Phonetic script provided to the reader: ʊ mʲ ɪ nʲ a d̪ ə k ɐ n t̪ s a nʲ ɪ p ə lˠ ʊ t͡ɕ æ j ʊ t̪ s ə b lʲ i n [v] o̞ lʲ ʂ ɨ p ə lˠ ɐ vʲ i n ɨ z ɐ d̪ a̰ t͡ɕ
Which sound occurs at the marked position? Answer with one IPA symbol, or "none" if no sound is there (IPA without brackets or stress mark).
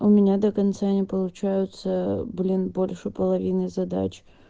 b